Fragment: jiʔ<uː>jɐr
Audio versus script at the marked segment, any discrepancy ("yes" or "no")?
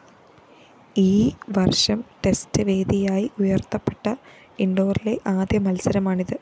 yes